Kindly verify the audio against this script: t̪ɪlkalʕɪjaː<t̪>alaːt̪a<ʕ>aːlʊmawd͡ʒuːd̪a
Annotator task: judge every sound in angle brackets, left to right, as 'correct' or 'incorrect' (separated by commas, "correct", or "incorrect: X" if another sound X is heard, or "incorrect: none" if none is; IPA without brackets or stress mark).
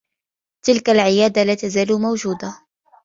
incorrect: d̪, incorrect: z